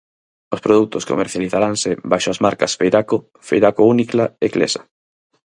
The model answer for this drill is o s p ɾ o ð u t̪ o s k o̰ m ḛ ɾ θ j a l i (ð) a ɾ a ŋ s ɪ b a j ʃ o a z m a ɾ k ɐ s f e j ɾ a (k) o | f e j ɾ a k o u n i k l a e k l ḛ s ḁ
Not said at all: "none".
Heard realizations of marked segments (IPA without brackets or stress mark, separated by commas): θ, k